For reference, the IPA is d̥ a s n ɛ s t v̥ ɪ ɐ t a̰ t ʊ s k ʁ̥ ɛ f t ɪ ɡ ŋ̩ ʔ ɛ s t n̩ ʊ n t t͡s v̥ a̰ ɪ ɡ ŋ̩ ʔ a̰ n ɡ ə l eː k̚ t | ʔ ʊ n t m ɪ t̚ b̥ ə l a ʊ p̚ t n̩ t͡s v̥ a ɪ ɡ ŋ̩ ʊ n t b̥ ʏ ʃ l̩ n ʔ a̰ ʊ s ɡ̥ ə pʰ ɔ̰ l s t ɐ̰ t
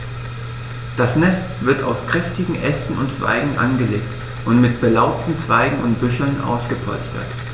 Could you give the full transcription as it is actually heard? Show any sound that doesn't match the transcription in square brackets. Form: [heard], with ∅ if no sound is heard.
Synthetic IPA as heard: d̥ a s n ɛ s t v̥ ɪ ɐ t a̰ [∅] ʊ s k ʁ̥ ɛ f t ɪ ɡ ŋ̩ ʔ ɛ s t n̩ ʊ n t t͡s v̥ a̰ ɪ ɡ ŋ̩ ʔ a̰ n ɡ ə l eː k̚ t | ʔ ʊ n t m ɪ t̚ b̥ ə l a ʊ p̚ t n̩ t͡s v̥ a ɪ ɡ ŋ̩ ʊ n t b̥ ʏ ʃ l̩ n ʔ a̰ ʊ s ɡ̥ ə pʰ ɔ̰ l s t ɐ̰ t